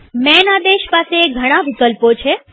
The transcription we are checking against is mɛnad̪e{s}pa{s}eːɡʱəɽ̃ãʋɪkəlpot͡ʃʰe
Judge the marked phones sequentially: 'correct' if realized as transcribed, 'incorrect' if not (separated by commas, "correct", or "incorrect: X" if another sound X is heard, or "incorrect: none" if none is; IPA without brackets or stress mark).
incorrect: ʃ, correct